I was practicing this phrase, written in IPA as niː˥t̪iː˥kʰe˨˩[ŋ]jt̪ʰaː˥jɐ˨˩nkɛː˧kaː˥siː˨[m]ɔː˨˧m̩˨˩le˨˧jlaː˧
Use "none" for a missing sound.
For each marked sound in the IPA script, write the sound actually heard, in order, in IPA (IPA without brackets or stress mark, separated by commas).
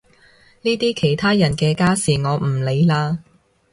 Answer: none, ŋ